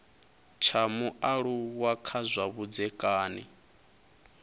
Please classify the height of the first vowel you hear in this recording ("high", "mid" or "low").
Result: low